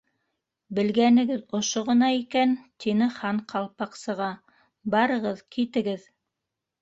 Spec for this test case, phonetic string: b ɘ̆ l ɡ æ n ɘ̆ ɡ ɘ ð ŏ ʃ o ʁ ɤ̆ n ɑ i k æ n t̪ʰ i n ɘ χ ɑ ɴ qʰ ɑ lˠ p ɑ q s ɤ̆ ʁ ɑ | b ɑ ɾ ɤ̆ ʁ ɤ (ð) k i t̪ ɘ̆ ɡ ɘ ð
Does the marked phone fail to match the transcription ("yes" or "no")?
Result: no